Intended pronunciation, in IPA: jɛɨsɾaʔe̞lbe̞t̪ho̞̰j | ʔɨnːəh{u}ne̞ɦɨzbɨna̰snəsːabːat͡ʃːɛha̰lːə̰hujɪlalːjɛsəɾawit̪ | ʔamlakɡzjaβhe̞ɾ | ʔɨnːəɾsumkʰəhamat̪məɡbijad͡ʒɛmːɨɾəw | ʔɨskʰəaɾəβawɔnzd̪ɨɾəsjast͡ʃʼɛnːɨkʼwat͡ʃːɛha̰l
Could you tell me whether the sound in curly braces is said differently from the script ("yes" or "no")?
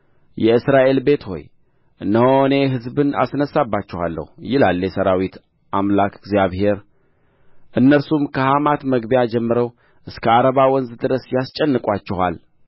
yes